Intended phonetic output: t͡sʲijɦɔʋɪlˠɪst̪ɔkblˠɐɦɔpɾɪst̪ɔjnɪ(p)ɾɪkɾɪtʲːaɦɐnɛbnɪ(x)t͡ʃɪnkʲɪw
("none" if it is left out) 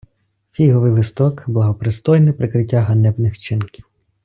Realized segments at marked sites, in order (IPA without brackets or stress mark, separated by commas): p, x